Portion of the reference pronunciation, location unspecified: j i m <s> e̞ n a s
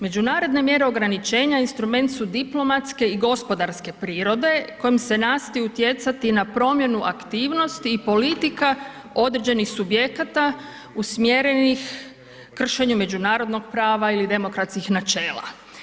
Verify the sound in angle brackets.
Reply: correct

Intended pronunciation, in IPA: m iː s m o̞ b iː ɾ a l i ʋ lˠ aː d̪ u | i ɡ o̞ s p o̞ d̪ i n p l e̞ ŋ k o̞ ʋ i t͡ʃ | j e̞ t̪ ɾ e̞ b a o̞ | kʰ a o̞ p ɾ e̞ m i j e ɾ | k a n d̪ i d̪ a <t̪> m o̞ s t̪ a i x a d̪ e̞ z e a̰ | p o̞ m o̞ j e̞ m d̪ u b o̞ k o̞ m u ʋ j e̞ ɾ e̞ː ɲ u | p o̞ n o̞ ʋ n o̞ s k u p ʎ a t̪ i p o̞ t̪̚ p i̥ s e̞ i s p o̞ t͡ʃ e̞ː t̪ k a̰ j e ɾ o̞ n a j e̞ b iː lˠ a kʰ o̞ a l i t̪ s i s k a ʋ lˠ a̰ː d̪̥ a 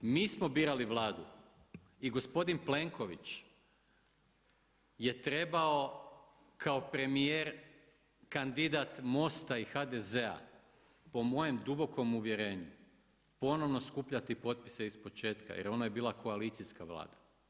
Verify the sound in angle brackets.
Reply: correct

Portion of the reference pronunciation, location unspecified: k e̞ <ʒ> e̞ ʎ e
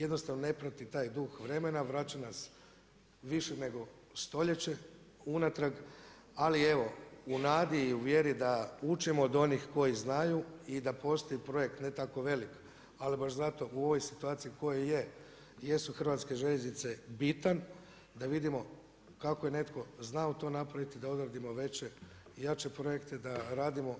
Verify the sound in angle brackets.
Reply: correct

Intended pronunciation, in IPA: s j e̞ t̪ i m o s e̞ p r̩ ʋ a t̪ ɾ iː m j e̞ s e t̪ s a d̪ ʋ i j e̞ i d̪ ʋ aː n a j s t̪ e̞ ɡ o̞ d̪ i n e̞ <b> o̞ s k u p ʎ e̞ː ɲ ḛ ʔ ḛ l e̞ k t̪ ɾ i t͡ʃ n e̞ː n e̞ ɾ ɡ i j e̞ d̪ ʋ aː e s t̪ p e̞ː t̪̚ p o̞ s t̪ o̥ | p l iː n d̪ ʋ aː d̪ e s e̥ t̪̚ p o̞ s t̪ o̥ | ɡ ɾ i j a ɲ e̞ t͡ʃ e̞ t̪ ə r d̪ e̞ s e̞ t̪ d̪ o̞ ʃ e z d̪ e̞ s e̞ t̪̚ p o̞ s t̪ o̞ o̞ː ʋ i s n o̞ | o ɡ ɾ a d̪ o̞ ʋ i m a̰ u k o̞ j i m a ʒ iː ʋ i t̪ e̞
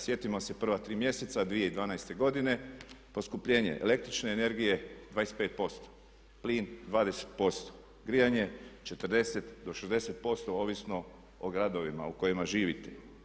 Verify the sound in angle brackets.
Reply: incorrect: p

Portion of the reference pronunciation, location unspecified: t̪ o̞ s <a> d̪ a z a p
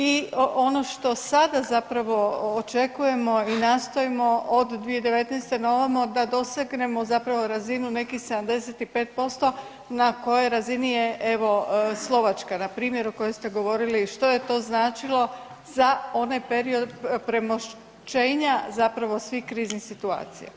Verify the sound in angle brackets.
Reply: correct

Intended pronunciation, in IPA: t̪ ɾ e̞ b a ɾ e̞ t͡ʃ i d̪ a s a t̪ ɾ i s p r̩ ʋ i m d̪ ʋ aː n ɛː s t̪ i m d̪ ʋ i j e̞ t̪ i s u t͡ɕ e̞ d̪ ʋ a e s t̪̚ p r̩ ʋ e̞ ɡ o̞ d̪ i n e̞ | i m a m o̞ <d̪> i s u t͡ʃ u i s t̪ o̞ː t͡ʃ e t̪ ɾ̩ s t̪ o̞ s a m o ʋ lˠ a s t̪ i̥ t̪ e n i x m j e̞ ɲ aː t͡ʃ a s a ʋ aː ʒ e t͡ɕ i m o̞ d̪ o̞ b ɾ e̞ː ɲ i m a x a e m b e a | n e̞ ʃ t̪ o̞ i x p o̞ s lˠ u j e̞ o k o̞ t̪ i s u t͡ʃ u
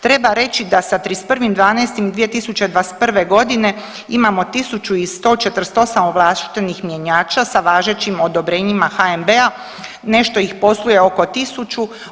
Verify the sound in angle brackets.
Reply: incorrect: t̪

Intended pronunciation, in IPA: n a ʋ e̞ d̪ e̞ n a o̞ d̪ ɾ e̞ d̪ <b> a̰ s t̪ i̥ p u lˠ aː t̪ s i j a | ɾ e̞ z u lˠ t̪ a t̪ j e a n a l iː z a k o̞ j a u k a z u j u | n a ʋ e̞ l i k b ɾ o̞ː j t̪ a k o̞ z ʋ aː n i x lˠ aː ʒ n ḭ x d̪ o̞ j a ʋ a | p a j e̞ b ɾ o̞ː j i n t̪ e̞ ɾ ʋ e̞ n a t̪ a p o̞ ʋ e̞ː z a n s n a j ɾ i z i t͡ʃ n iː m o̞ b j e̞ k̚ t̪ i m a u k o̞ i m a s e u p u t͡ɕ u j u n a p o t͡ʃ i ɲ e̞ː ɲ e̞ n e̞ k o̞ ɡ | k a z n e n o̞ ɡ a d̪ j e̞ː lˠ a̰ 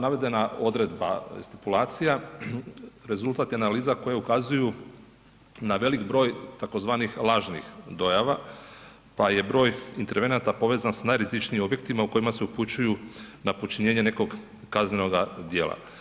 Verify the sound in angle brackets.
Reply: correct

